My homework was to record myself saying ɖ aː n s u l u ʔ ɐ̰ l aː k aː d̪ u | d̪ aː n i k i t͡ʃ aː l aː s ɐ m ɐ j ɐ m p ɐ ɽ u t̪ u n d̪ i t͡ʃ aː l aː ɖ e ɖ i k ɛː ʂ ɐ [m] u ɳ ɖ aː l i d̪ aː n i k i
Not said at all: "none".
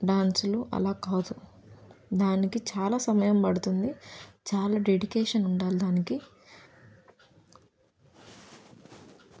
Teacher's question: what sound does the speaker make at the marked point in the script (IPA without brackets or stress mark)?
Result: n